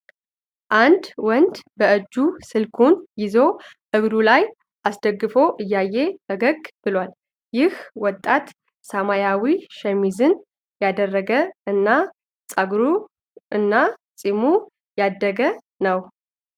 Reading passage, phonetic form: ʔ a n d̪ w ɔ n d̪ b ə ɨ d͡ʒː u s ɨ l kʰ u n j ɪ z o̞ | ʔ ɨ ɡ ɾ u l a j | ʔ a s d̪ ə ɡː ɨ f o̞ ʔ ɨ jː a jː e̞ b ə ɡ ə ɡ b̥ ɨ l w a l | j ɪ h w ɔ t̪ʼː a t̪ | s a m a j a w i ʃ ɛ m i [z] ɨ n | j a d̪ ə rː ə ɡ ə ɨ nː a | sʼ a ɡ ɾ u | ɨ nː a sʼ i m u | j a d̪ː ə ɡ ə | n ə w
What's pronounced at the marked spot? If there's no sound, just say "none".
z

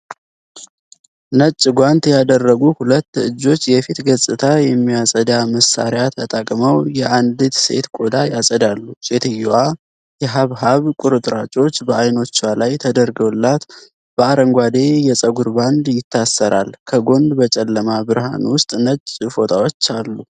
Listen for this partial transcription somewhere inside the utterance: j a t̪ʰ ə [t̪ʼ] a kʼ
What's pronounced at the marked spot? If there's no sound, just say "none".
t̪ʼ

